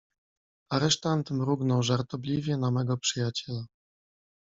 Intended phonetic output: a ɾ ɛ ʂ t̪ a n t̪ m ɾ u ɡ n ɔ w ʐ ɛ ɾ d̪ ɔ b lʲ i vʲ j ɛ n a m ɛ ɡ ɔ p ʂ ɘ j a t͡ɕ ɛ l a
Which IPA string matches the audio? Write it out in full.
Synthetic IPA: a ɾ ɛ ʂ t̪ a n t̪ m ɾ u ɡ n ɔ w ʐ a ɾ t̪ ɔ b lʲ i vʲ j ɛ n a m ɛ ɡ ɔ p ʂ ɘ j a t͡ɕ ɛ l a